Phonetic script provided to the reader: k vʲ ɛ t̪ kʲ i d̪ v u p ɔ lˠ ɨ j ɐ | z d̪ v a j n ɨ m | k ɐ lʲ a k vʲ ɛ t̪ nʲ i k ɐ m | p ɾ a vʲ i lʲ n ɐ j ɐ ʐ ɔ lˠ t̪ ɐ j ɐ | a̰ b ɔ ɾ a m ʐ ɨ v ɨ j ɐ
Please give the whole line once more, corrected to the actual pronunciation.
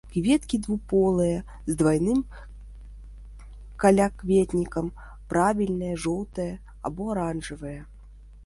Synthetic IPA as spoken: k vʲ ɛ t̪ kʲ i d̪ v u p ɔ lˠ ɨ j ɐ | z d̪ v a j n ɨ m | k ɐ lʲ a k vʲ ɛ t̪ nʲ i k ɐ m | p ɾ a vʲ i lʲ n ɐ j ɐ ʐ ɔ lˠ t̪ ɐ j ɐ | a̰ b ɔ ɾ a n ʐ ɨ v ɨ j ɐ